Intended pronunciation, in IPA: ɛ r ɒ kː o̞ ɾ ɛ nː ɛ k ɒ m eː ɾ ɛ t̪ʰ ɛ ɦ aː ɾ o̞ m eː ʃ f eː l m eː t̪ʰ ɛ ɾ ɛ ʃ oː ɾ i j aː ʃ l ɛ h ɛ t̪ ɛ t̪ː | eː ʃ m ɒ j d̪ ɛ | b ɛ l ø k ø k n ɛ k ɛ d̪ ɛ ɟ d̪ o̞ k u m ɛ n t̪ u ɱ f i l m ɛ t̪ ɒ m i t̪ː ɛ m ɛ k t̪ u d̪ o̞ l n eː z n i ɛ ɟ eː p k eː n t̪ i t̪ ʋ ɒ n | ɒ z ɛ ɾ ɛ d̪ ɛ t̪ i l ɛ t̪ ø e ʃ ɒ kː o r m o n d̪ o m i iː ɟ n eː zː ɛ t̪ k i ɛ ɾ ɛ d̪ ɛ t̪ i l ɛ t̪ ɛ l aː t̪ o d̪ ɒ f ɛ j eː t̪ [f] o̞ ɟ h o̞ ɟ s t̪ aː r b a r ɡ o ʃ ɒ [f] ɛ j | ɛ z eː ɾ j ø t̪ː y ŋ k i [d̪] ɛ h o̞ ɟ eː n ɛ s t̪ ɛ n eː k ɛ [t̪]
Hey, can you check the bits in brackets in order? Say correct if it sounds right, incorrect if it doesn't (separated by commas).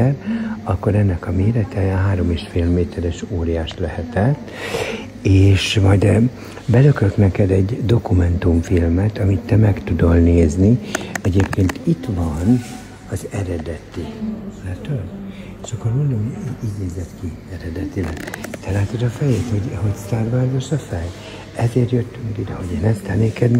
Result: incorrect, correct, correct, incorrect